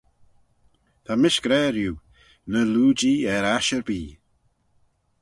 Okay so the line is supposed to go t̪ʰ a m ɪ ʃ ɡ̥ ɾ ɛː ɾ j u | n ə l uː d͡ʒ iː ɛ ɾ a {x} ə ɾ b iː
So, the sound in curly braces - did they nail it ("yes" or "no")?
no